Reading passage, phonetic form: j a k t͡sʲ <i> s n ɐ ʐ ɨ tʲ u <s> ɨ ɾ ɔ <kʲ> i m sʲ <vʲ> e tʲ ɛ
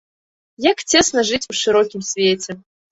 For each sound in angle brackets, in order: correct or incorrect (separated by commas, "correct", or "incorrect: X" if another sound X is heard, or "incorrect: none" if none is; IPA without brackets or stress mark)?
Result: incorrect: e, incorrect: ʂ, correct, correct